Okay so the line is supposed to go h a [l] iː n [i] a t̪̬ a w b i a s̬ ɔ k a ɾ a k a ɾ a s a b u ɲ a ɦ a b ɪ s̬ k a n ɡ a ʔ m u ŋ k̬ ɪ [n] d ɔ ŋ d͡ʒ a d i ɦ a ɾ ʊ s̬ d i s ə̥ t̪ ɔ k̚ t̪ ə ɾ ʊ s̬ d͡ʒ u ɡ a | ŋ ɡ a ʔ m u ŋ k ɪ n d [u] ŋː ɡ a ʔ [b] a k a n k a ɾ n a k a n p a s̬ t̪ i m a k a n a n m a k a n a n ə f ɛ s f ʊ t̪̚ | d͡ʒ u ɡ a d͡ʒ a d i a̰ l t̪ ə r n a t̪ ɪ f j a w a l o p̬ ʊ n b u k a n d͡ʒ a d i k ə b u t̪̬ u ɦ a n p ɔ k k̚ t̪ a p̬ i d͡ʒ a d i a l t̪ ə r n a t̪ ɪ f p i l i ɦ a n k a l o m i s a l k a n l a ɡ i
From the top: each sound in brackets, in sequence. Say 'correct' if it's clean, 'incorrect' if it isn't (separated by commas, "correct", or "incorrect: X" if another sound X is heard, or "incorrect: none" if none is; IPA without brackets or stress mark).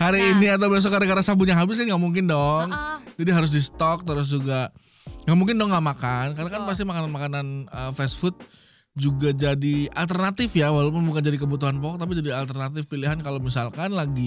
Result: incorrect: ɾ, correct, correct, incorrect: ɔ, incorrect: m